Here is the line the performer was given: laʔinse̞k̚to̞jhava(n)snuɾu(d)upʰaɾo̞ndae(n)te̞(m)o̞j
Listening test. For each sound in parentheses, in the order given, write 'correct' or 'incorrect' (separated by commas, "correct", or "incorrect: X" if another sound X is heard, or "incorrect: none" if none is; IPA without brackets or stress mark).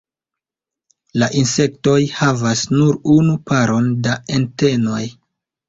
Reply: incorrect: none, incorrect: n, correct, incorrect: n